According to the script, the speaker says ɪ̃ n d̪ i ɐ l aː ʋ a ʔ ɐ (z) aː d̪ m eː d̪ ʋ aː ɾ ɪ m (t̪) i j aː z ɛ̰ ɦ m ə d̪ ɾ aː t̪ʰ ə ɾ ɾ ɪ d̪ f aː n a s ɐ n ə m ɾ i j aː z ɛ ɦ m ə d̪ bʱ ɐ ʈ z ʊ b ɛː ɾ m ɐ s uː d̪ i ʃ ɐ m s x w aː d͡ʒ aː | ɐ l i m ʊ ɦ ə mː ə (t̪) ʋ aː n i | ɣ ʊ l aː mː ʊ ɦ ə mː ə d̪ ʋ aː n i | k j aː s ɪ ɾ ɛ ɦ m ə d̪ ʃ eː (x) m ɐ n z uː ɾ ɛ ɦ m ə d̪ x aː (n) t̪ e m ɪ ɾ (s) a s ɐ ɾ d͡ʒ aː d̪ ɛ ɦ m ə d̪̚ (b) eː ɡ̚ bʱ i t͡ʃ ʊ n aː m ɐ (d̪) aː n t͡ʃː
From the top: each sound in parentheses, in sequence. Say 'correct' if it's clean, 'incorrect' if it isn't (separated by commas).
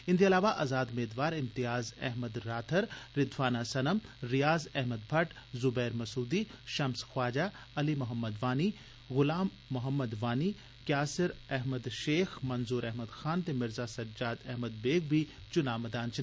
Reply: correct, correct, incorrect, correct, correct, incorrect, correct, correct